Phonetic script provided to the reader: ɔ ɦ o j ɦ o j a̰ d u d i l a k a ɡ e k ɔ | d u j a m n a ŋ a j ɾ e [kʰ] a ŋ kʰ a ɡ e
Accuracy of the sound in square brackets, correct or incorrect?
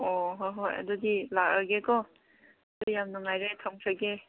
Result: incorrect